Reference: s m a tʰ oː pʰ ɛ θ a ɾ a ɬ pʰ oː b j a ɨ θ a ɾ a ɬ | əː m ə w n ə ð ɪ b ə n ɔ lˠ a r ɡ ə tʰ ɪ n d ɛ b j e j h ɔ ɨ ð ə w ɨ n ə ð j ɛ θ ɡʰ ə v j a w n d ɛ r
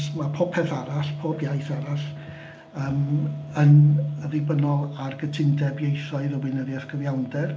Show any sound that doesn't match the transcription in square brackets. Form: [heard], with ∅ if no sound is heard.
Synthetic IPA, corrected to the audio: s m a [pʰ] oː pʰ ɛ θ a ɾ a ɬ pʰ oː b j a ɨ θ a ɾ a ɬ | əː m ə [∅] n ə ð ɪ b ə n ɔ lˠ a r ɡ ə tʰ ɪ n d ɛ b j e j [θ] ɔ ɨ ð ə w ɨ n ə ð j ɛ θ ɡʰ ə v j a w n d ɛ r